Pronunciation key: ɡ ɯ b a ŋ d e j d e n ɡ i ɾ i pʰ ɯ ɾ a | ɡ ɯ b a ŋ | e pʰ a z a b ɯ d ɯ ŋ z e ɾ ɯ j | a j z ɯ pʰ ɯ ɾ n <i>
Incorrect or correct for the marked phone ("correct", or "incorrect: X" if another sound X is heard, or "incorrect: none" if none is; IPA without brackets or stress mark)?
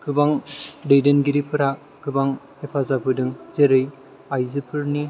correct